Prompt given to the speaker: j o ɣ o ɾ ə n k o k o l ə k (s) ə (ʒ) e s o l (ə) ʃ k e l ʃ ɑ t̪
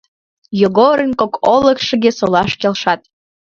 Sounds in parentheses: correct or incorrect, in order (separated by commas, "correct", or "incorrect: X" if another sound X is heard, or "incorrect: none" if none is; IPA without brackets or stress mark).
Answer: incorrect: ʃ, incorrect: ɣ, incorrect: ɑ